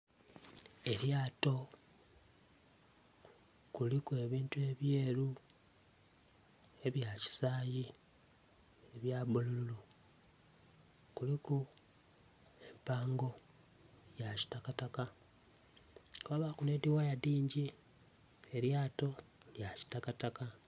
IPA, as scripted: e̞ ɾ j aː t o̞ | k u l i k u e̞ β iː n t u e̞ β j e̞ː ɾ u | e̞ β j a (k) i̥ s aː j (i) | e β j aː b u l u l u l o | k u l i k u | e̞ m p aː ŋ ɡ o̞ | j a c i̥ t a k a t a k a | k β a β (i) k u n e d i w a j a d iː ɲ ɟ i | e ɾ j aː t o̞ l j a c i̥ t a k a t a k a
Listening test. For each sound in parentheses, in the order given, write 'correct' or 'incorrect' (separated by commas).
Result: incorrect, correct, incorrect